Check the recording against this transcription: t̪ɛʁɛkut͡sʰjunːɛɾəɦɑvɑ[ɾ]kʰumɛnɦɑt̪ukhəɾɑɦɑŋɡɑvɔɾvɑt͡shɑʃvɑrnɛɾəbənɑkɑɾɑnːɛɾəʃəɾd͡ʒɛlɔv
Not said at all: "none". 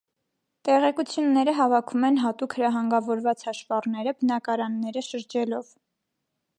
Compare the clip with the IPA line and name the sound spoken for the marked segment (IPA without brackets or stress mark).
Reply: none